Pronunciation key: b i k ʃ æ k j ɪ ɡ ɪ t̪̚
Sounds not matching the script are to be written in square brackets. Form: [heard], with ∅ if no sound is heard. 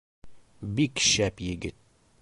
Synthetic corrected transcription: b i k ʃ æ [p] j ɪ ɡ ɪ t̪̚